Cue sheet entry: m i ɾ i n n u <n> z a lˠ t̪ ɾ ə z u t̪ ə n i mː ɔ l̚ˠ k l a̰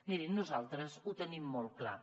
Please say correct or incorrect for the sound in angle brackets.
incorrect